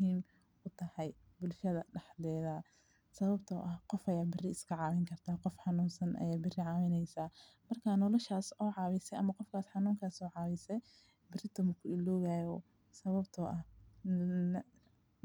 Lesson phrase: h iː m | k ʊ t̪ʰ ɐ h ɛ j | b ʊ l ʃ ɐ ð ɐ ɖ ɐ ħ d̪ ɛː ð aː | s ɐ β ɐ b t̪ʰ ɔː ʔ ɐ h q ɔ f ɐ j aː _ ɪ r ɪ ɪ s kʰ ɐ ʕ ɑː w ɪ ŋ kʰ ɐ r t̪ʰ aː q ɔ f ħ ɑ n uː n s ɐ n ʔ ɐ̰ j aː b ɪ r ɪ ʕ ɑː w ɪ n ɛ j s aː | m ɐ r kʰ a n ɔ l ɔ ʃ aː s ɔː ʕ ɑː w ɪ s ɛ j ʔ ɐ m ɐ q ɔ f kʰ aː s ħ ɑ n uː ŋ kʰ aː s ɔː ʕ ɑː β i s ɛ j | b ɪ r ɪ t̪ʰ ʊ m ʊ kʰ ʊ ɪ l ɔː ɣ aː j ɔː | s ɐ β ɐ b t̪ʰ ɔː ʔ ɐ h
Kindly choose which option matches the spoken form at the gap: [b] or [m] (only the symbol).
b